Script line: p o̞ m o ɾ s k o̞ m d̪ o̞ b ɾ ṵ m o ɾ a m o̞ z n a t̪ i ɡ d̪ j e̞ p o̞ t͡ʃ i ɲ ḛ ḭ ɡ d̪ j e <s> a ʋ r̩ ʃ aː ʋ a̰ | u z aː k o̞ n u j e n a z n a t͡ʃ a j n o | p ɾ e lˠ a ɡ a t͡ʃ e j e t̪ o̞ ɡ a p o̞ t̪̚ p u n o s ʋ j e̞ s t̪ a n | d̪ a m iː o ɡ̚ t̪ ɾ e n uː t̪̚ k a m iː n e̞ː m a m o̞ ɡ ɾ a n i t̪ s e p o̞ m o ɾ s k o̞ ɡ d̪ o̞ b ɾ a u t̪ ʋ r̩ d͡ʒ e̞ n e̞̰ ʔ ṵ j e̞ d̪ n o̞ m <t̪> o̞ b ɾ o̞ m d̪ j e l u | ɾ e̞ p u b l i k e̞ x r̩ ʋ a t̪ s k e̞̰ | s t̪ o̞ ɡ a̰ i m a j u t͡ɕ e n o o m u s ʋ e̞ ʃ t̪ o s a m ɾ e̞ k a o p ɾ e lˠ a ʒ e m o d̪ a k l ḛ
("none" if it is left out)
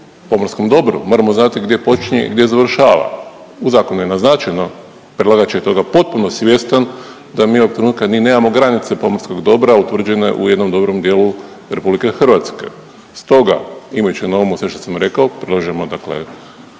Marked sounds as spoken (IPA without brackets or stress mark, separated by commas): z, d̪